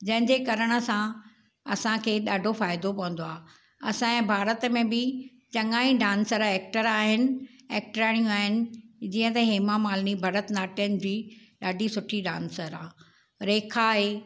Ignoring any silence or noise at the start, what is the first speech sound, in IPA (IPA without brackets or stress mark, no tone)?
d͡ʑ